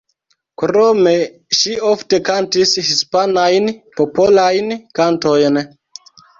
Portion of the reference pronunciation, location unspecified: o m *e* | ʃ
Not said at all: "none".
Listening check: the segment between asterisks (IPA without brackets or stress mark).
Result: e